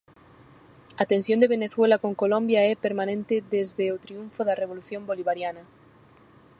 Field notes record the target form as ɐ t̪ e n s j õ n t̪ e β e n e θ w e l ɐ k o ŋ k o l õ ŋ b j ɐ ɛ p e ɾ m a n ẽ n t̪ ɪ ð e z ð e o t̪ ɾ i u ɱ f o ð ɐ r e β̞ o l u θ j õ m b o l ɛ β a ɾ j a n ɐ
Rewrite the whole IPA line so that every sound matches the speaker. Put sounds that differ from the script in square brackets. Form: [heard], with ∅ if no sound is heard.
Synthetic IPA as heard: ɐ t̪ e n s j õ n [d̪] e β e n e θ w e l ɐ k o ŋ k o l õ [m] b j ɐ ɛ p e ɾ m a n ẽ n t̪ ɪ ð e z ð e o t̪ ɾ i u ɱ f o ð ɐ r e β̞ o l u θ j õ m b o l [i] β a ɾ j a n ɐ